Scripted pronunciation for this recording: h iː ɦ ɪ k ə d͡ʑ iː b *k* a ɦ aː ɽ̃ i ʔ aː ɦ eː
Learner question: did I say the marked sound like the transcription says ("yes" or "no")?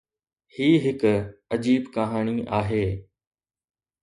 yes